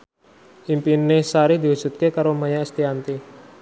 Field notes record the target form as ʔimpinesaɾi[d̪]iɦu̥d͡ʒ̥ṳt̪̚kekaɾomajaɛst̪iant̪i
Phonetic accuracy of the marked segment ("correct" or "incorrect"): correct